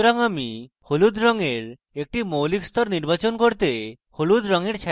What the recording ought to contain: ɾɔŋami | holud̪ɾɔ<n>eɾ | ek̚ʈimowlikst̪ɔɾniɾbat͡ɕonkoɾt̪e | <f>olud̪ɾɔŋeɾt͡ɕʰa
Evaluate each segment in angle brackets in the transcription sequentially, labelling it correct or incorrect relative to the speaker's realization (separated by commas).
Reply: incorrect, incorrect